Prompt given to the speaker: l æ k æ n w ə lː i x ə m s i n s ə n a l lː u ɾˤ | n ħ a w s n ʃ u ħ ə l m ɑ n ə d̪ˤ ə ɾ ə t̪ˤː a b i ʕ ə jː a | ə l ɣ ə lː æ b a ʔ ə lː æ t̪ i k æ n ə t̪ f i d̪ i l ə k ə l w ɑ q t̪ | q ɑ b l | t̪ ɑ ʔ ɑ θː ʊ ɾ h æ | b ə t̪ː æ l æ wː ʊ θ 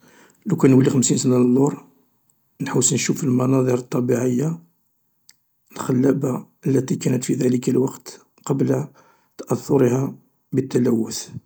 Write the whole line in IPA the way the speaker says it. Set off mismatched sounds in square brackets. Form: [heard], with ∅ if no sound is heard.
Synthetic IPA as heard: l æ k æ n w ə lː i x ə m s i n s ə n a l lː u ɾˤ | n ħ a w s n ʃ u [f] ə l m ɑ n [ɑ] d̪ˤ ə ɾ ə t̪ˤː [ɑ] b i ʕ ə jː a | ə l [x] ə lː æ b a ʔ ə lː æ t̪ i k æ n ə t̪ f i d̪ [æ] l ə k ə l w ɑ q t̪ | q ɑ b l | t̪ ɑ ʔ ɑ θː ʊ ɾ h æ | b ə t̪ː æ l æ wː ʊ θ